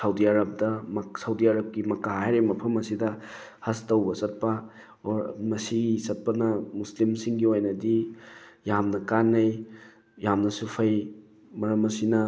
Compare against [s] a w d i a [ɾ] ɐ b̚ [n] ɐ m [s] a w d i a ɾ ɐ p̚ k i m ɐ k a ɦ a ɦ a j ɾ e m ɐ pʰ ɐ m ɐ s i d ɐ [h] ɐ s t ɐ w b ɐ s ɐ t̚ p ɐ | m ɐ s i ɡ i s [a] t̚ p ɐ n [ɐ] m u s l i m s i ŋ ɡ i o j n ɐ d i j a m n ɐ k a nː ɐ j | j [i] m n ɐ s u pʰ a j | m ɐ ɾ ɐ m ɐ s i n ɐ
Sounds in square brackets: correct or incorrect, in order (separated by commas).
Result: correct, correct, incorrect, correct, correct, incorrect, correct, incorrect